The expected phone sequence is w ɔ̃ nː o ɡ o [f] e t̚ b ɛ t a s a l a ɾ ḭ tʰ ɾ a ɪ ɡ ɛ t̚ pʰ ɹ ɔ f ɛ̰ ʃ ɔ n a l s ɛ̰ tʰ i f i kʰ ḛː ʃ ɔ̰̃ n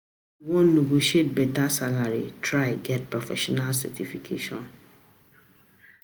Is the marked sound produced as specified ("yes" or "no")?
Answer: no